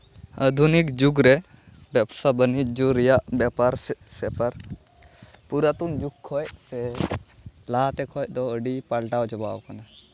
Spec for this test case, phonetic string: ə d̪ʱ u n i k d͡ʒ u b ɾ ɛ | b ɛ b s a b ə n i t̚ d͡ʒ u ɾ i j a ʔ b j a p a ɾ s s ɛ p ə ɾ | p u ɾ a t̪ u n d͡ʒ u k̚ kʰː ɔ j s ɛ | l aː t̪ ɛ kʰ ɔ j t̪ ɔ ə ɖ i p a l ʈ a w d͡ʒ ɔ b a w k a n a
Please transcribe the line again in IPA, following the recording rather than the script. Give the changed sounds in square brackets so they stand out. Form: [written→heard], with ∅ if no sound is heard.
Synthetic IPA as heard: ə d̪ʱ u n i k d͡ʒ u [b→ɡ] ɾ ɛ | b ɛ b s a b ə n i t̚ d͡ʒ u ɾ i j a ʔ b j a p a ɾ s s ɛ p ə ɾ | p u ɾ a t̪ u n d͡ʒ u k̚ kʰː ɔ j s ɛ | l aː t̪ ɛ kʰ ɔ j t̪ ɔ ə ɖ i p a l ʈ a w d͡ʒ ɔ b a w k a n a